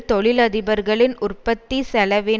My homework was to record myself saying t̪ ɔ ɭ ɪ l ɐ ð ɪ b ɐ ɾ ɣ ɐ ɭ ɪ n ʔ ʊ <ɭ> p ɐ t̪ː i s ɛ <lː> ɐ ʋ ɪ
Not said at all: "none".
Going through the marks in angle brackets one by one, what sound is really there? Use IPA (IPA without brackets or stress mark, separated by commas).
r, l